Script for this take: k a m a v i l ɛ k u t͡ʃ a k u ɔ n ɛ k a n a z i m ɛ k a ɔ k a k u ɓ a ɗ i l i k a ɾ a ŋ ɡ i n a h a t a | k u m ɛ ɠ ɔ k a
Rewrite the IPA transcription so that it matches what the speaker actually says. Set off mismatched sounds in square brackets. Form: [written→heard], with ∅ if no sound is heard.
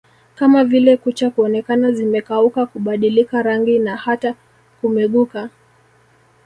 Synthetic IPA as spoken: k a m a v i l ɛ k u t͡ʃ a k u ɔ n ɛ k a n a z i m ɛ k a [ɔ→u] k a k u ɓ a ɗ i l i k a ɾ a ŋ ɡ i n a h a t a | k u m ɛ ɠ [ɔ→u] k a